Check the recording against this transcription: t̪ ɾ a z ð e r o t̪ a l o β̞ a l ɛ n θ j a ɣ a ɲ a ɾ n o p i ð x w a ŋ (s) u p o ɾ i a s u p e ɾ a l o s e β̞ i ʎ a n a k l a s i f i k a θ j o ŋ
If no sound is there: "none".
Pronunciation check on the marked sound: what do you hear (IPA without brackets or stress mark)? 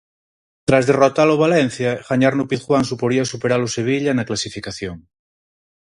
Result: s